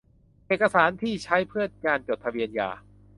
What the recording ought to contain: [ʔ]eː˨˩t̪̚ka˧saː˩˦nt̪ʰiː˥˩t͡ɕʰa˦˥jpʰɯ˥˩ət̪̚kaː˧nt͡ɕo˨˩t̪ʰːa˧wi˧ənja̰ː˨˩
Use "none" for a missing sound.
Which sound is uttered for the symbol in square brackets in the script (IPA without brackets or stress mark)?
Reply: ʔ